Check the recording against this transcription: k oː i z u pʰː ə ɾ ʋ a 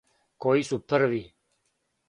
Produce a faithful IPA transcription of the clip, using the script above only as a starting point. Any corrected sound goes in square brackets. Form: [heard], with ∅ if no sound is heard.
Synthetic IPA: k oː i [s] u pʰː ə ɾ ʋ [i]